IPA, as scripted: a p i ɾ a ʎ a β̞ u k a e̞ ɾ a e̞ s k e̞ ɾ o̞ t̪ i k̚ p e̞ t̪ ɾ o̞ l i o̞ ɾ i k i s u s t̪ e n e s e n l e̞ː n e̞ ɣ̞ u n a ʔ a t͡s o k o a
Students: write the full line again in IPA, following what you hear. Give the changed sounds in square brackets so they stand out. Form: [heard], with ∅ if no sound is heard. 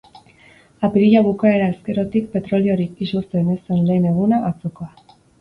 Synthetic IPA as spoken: a p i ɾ [i] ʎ a β̞ u k a e̞ ɾ a e̞ s k e̞ ɾ o̞ t̪ i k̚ p e̞ t̪ ɾ o̞ l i o̞ ɾ i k i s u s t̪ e n e s e n l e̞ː n e̞ ɣ̞ u n a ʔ a t͡s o k o a

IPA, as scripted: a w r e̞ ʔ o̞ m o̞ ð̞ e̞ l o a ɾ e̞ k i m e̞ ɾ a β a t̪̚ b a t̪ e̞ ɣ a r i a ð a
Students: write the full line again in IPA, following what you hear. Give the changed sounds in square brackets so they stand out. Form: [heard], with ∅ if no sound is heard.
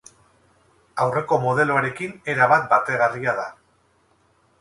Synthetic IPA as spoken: a w r e̞ [k] o̞ m o̞ ð̞ e̞ l o a ɾ e̞ k i [n] e̞ ɾ a β a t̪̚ b a t̪ e̞ ɣ a r i a ð a

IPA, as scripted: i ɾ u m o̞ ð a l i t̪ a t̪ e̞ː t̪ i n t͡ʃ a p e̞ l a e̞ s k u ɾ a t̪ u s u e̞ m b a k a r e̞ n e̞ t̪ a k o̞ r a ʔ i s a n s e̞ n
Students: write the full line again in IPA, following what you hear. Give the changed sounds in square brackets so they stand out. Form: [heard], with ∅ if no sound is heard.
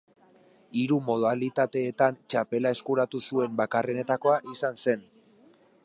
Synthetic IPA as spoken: i ɾ u m o̞ ð a l i t̪ a t̪ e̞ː t̪ [a] n t͡ʃ a p e̞ l a e̞ s k u ɾ a t̪ u s u e̞ m b a k a r e̞ n e̞ t̪ a k o̞ [∅] a ʔ i s a n s e̞ n

